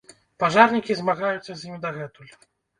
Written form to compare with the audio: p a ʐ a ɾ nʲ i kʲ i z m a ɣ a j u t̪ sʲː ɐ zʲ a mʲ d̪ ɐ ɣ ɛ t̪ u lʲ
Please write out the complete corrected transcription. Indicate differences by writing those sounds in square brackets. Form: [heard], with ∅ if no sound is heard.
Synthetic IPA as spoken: p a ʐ a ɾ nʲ i kʲ i z m a ɣ a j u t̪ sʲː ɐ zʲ [i] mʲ d̪ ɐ ɣ ɛ t̪ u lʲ